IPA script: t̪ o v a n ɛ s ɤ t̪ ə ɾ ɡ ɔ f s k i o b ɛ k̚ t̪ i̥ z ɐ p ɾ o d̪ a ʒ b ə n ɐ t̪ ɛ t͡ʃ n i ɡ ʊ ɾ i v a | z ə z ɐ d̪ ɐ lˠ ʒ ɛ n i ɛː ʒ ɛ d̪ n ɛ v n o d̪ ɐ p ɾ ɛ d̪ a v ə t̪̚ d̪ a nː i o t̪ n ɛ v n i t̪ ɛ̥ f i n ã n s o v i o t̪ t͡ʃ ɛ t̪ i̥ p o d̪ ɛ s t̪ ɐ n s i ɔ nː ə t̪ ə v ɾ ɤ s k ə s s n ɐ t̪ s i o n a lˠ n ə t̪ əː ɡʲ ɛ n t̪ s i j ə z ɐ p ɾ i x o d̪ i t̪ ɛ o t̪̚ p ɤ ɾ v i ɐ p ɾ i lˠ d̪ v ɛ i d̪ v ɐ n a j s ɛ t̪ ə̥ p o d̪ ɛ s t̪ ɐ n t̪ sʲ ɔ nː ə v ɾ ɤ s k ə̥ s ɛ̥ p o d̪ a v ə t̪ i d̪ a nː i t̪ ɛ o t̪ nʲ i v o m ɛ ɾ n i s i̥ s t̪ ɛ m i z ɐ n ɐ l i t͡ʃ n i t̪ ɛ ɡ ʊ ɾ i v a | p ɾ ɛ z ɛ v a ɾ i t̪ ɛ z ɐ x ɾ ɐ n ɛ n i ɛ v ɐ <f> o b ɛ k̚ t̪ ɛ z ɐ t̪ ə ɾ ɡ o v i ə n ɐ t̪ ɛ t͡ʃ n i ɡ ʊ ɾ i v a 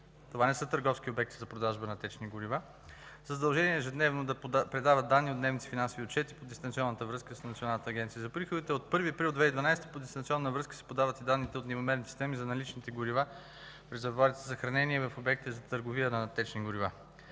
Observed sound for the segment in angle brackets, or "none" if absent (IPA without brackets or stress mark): f